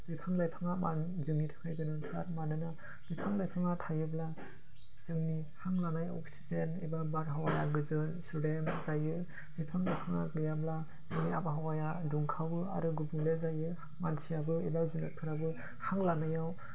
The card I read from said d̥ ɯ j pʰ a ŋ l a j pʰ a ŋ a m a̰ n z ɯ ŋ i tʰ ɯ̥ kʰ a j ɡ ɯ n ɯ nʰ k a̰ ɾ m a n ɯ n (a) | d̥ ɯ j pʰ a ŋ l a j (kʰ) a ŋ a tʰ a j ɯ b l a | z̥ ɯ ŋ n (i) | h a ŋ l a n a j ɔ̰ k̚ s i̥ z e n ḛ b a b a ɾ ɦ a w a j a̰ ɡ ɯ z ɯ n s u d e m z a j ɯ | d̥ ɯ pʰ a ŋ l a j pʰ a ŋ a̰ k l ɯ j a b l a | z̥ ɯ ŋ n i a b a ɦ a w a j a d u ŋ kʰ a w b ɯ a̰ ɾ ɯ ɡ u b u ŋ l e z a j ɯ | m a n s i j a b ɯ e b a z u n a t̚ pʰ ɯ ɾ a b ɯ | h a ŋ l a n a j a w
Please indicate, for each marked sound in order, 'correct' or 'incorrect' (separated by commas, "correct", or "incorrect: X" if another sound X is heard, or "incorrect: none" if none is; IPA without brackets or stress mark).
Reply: correct, incorrect: pʰ, correct